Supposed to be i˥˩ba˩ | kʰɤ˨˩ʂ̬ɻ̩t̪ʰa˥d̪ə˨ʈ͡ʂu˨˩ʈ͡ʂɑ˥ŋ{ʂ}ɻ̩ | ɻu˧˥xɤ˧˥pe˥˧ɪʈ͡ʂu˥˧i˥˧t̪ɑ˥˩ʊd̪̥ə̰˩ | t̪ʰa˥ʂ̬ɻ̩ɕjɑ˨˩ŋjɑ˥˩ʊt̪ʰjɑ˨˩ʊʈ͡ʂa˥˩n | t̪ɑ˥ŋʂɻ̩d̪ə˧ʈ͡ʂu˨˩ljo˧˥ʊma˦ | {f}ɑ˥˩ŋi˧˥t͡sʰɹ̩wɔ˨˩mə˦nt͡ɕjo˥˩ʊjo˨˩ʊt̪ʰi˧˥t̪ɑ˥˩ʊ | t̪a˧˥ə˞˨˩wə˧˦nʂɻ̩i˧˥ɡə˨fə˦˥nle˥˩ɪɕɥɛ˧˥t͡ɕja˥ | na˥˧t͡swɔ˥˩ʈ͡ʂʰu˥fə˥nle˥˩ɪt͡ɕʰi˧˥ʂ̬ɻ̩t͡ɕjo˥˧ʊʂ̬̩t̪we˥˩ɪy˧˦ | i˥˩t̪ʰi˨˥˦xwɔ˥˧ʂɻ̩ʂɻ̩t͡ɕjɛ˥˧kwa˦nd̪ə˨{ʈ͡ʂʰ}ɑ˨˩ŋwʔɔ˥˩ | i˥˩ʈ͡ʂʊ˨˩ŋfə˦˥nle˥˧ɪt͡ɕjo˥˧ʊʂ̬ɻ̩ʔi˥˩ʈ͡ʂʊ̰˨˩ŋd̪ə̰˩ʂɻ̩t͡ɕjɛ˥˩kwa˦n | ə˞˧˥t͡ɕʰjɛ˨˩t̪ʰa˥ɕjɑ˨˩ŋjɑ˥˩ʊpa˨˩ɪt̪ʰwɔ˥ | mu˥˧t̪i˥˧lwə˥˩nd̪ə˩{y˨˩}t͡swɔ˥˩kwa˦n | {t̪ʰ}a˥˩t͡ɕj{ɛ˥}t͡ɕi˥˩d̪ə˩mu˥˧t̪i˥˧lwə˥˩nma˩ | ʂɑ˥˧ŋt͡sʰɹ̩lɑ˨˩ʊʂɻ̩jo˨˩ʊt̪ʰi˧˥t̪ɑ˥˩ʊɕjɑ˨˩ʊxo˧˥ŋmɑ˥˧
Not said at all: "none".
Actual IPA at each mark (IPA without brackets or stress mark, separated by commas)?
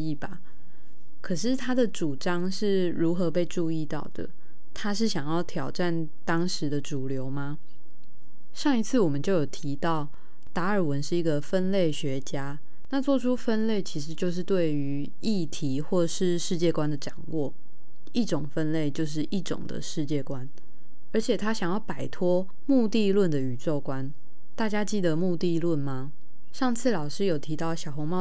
ʂ, ʂ, ʈ͡ʂ, y˨˩, t̪, a˥